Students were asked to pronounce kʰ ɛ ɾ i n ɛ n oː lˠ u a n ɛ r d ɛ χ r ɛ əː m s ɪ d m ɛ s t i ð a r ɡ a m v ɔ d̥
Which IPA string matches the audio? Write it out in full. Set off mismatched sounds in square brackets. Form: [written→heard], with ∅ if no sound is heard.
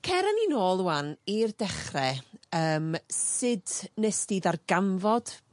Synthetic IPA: kʰ ɛ ɾ [i→a] n [ɛ→i] n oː lˠ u a n [ɛ→i] r d ɛ χ r ɛ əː m s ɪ d [m→n] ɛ s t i ð a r ɡ a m v ɔ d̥